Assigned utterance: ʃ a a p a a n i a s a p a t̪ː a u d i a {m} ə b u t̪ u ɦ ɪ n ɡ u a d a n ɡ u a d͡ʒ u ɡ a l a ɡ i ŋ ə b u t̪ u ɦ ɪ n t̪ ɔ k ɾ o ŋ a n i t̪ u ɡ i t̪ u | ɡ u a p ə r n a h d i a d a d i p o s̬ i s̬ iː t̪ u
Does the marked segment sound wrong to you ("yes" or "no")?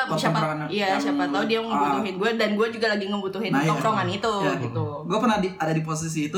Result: yes